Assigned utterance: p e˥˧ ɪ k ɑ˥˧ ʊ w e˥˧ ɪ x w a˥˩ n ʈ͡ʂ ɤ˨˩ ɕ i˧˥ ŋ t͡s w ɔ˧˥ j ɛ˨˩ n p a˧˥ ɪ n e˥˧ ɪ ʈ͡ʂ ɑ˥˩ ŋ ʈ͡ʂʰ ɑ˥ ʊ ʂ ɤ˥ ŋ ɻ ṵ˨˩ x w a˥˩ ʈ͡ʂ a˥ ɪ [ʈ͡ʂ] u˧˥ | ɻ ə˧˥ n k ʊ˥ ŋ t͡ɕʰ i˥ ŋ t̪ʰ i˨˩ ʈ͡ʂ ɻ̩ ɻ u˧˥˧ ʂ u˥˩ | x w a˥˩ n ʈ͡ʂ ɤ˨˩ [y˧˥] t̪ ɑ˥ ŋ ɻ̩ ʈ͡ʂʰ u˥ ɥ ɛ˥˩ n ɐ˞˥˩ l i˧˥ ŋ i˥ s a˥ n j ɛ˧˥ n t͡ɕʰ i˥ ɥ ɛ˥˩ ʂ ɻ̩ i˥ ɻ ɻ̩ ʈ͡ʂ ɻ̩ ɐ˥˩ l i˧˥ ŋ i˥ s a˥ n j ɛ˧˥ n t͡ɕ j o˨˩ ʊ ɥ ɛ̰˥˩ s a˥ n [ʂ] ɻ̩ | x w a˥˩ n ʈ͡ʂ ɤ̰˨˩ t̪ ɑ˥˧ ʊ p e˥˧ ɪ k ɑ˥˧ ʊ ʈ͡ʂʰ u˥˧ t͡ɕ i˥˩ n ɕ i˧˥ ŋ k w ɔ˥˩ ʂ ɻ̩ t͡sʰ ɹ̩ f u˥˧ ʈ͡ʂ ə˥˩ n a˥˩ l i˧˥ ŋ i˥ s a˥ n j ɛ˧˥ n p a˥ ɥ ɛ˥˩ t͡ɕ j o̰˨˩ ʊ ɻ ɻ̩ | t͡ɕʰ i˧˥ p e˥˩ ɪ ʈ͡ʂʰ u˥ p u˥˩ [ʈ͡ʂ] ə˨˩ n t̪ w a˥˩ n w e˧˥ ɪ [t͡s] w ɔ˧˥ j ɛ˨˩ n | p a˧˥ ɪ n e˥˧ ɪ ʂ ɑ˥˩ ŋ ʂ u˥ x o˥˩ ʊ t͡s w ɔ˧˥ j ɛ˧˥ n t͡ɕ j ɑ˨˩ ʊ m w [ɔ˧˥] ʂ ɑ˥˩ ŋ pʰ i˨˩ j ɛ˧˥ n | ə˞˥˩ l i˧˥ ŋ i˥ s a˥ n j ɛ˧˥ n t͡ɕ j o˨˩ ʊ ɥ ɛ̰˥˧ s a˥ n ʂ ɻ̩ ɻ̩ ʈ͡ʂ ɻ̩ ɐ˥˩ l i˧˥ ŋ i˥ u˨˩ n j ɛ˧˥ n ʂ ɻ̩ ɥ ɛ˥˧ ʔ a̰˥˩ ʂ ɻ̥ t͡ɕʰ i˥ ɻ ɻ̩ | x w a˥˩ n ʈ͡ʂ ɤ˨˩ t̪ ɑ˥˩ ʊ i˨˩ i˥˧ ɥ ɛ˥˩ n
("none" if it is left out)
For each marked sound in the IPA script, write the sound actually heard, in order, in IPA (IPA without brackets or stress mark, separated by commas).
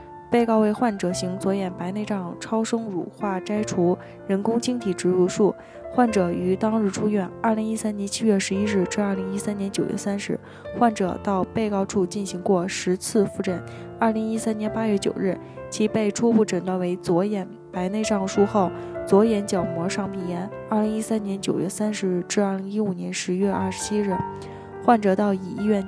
ʈ͡ʂʰ, y˧˥, ʂ, ʈ͡ʂ, t͡s, ɔ˧˥